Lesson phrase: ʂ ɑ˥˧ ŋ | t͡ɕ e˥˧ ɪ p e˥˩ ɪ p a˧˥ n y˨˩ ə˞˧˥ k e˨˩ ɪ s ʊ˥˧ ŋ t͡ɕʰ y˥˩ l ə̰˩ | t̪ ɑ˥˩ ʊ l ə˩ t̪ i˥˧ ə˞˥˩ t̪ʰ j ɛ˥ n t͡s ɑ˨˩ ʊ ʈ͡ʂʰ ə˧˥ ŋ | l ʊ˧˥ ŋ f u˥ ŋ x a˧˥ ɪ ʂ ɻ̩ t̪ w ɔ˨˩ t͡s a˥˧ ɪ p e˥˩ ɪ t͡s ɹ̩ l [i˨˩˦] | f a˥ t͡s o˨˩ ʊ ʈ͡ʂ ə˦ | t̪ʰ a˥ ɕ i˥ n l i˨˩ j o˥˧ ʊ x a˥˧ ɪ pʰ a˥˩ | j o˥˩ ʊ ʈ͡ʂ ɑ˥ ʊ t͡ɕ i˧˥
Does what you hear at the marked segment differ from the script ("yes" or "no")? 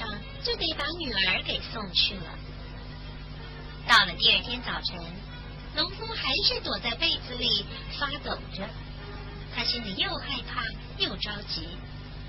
yes